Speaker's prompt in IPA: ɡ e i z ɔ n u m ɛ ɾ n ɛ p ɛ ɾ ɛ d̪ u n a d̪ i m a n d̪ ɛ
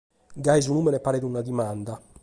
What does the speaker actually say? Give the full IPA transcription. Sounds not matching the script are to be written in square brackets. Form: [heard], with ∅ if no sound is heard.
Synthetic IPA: ɡ [a] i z [u] n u m ɛ [∅] n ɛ p [a] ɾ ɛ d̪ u n a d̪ i m a n d̪ [a]